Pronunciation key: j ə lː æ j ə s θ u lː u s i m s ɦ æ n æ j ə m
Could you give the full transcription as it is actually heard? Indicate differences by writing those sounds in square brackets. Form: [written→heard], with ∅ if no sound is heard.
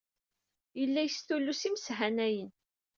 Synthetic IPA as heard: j ə lː æ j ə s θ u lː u s i m s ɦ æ n æ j ə [m→n]